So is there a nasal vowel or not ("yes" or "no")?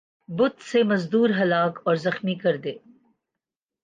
no